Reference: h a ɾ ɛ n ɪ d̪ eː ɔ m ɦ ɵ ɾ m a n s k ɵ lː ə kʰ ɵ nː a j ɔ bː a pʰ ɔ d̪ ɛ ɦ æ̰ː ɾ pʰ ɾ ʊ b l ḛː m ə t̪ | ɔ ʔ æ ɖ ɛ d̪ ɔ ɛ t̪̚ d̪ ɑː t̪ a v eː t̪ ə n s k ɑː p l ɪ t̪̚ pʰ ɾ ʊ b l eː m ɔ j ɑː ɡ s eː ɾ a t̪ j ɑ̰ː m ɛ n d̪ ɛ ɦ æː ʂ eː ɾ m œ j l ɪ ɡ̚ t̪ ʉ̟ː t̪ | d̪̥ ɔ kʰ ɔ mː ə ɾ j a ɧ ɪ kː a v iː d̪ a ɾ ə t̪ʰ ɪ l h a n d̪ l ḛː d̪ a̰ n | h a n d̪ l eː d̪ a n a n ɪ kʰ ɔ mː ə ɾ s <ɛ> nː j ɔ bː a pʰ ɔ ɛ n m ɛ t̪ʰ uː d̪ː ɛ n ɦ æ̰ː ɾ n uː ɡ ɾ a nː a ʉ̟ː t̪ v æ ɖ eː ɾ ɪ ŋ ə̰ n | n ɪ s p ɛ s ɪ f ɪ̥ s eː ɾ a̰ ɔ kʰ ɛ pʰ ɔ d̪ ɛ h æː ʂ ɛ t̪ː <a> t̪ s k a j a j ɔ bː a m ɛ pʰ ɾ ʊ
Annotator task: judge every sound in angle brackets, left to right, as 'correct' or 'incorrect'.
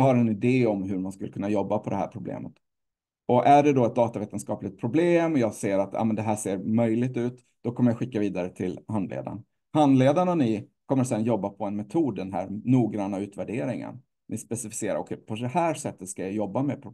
correct, incorrect: ə

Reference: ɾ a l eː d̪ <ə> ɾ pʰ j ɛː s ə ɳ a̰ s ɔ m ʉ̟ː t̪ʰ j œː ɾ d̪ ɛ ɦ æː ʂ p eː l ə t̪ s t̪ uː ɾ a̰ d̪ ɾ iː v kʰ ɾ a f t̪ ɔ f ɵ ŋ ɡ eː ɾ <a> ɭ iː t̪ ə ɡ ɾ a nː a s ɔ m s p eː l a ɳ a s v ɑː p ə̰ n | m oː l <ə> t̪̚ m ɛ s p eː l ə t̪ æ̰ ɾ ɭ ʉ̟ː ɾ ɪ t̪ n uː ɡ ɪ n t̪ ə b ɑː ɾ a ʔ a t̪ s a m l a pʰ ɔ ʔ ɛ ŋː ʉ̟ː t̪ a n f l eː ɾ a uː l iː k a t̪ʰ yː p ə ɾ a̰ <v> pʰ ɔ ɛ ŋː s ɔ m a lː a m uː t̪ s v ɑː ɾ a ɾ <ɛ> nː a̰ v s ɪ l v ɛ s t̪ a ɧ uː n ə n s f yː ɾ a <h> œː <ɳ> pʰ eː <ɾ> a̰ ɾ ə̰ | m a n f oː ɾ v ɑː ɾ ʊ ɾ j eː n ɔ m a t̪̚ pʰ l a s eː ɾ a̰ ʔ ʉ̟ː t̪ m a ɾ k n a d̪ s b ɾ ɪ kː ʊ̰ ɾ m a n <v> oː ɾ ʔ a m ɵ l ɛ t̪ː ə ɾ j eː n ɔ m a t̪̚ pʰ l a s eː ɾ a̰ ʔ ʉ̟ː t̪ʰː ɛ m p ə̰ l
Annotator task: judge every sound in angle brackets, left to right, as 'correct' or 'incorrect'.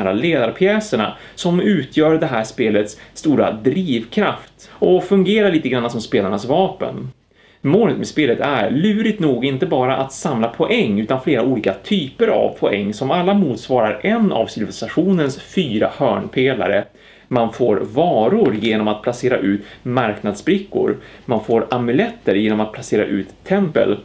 incorrect: a, correct, correct, correct, correct, correct, correct, incorrect: l, incorrect: f

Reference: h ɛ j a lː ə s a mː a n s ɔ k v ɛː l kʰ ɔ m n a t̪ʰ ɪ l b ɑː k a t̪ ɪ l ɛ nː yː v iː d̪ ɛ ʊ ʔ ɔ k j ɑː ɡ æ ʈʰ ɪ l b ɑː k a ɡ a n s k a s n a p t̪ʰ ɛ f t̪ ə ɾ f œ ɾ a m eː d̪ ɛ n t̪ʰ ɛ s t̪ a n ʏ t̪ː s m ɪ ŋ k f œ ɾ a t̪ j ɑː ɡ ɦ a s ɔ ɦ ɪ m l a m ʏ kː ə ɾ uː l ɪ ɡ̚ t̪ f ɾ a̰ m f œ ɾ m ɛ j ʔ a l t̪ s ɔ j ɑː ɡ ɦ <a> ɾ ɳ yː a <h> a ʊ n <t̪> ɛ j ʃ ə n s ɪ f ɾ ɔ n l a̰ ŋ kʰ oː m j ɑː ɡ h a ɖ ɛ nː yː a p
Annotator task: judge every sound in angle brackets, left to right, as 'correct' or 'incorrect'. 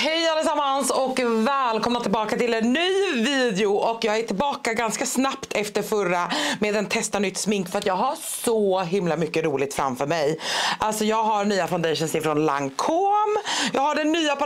correct, incorrect: f, incorrect: d̪

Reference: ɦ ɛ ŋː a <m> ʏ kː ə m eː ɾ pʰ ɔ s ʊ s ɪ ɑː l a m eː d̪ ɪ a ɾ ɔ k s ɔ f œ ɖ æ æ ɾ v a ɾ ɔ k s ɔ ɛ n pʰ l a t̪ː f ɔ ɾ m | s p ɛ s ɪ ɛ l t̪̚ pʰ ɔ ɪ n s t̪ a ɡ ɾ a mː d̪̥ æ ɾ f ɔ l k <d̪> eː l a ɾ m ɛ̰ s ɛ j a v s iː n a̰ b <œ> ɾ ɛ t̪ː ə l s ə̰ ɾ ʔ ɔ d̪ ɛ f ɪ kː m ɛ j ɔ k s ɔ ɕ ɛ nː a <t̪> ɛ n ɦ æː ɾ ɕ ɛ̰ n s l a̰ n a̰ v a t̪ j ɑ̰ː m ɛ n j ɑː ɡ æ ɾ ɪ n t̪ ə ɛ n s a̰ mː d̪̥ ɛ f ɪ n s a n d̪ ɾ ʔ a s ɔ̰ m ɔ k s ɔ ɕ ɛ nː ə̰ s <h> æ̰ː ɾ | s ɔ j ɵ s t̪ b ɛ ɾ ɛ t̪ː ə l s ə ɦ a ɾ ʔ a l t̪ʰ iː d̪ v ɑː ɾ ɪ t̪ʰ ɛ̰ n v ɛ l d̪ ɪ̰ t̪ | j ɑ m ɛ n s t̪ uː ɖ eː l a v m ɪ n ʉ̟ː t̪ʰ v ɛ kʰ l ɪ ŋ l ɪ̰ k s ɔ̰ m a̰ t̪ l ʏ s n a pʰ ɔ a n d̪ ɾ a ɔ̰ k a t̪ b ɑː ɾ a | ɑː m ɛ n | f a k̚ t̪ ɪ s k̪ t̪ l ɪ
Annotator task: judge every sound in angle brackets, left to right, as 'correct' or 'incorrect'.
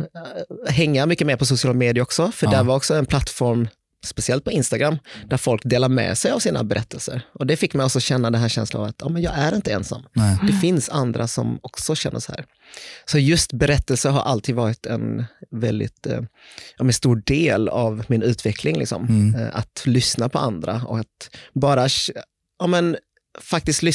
correct, correct, incorrect: ɛ, incorrect: d̪, correct

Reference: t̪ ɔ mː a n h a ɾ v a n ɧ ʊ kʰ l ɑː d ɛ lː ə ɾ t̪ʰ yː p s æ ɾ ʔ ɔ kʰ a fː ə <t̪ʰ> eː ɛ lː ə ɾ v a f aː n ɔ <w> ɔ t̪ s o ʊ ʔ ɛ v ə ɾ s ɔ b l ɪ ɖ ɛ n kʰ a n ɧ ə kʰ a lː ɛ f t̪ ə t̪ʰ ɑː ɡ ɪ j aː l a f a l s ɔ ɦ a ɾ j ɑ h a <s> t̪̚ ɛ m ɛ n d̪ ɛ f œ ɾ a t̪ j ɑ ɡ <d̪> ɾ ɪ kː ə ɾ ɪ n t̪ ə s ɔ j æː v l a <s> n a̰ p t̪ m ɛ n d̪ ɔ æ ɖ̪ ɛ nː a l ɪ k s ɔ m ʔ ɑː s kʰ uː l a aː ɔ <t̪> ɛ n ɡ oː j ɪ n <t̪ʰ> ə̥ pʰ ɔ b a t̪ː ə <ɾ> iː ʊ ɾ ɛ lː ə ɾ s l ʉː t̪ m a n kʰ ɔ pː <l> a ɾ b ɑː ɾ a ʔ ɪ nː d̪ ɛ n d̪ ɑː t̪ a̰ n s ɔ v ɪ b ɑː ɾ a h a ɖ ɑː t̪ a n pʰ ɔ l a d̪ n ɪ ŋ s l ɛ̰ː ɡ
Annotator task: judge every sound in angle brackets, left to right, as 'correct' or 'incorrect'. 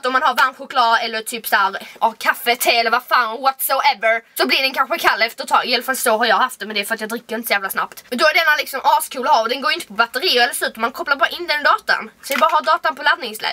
correct, correct, incorrect: f, correct, correct, incorrect: d̪, incorrect: t̪, correct, correct

